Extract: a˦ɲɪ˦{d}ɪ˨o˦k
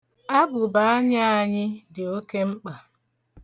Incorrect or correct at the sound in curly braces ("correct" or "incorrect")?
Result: correct